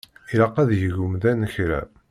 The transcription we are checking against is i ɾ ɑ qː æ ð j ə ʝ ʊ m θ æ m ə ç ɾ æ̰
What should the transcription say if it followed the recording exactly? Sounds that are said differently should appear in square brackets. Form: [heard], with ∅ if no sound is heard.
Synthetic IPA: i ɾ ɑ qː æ ð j ə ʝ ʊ m [ð] æ [n] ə ç ɾ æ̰